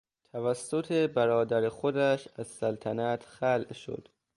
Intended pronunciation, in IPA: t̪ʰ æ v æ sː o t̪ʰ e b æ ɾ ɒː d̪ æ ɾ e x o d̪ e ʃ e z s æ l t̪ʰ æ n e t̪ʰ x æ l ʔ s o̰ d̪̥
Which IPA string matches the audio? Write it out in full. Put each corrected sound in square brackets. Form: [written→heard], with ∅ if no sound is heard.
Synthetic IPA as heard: t̪ʰ æ v æ sː o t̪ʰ e b æ ɾ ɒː d̪ æ ɾ e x o d̪ [e→æ] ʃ [e→æ] z s æ l t̪ʰ æ n [e→æ] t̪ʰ x æ l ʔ [s→ʃ] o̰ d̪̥